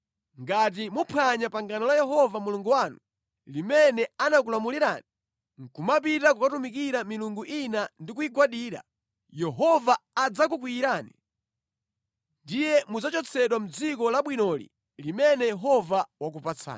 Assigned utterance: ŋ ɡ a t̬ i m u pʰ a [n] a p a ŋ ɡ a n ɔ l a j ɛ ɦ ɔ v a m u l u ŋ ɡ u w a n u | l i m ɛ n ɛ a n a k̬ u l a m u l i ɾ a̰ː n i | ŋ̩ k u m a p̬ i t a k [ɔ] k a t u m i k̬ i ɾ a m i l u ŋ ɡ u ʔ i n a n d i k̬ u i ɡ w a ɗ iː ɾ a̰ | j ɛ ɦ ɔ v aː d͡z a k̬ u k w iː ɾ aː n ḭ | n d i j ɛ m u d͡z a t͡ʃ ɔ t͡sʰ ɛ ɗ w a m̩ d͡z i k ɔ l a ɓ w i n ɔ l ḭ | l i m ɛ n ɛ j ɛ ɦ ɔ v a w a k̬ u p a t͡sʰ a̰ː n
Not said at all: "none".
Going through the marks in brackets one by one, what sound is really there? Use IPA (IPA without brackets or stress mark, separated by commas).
ɲ, u